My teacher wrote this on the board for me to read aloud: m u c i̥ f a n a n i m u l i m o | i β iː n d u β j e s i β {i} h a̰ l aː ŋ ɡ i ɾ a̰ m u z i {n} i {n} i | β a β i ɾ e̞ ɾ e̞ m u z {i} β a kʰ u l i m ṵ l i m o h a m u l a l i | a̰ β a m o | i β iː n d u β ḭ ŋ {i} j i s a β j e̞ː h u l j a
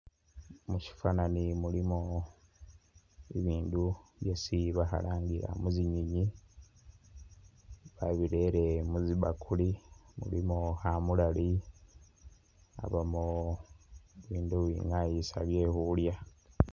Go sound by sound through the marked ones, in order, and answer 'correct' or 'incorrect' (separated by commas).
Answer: incorrect, incorrect, incorrect, correct, incorrect